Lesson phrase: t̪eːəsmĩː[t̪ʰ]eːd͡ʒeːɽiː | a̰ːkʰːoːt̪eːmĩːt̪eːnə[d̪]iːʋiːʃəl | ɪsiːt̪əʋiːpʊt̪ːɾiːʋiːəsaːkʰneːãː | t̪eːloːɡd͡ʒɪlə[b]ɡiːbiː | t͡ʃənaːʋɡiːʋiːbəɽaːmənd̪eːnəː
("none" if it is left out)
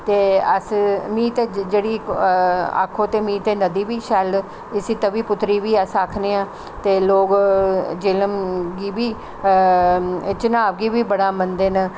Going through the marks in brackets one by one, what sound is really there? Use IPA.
t̪, d̪, m

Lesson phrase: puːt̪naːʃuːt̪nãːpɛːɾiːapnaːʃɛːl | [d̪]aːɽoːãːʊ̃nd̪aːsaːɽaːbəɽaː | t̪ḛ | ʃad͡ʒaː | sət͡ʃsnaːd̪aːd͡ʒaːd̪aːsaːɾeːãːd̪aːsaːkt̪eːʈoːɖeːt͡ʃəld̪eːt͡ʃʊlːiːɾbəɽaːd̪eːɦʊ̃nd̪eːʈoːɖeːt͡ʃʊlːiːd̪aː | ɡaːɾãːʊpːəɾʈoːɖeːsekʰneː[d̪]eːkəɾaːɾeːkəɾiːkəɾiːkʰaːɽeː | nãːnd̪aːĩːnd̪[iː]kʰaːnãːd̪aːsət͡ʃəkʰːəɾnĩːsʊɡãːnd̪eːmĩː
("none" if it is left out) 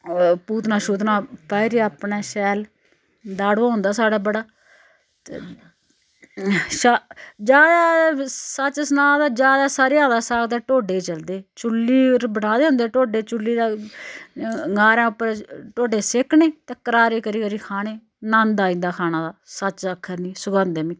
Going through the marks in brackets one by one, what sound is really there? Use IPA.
d̪, t̪, aː

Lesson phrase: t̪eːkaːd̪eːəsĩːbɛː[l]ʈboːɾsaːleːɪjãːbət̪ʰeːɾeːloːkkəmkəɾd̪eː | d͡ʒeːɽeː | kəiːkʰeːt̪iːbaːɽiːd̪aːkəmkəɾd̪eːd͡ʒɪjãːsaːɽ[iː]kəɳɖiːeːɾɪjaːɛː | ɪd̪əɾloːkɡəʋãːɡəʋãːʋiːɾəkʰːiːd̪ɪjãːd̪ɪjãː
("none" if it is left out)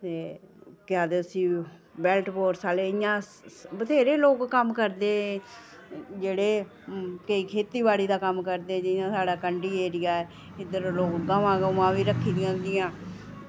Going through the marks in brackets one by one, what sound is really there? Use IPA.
l, aː

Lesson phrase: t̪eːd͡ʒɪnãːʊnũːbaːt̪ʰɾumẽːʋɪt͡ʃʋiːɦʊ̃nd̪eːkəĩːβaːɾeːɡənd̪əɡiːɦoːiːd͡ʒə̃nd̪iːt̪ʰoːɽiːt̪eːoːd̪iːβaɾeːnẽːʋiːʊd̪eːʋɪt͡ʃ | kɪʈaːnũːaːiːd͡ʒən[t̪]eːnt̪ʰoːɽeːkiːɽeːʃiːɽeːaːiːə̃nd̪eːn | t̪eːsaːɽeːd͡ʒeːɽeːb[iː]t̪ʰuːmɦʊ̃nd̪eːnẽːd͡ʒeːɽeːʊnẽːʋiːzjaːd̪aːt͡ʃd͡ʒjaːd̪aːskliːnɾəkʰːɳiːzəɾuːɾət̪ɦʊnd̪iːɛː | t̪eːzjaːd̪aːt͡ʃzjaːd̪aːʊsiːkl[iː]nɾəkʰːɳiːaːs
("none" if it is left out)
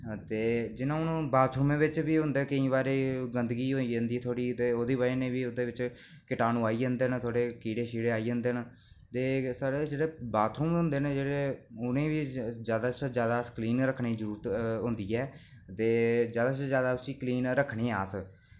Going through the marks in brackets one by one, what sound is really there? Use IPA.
d̪, aː, iː

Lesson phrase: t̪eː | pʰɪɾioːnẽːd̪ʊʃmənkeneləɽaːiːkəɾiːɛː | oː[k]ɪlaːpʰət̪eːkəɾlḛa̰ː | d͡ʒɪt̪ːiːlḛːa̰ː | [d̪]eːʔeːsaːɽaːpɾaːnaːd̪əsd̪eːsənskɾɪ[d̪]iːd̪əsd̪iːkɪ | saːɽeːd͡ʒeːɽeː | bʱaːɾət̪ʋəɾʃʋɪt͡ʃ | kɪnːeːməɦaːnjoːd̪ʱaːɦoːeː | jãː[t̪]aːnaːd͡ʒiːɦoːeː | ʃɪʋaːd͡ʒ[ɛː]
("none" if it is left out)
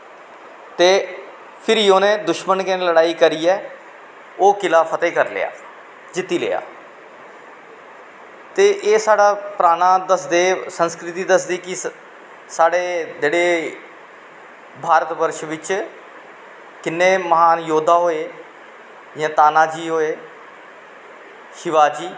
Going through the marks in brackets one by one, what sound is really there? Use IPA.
k, t̪, t̪, t̪, iː

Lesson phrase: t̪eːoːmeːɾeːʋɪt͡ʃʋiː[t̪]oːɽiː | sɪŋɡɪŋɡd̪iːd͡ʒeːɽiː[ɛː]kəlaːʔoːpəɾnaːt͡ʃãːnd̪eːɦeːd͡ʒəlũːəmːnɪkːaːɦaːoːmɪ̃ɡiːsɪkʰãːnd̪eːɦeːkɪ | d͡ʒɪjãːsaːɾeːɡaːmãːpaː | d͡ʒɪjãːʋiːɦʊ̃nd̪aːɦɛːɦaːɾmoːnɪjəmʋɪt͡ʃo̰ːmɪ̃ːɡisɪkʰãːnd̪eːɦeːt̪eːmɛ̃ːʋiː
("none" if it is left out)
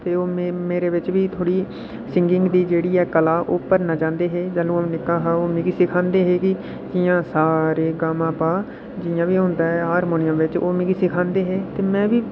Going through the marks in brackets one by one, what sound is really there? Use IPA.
t̪ʰ, ɛː

